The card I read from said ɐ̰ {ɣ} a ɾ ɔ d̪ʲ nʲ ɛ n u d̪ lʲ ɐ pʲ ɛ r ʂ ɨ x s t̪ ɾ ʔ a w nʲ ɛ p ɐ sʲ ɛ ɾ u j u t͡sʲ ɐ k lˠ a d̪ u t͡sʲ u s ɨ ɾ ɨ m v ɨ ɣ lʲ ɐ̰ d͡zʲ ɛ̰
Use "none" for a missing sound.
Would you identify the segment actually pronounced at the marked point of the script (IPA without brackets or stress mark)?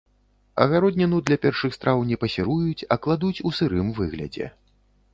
ɣ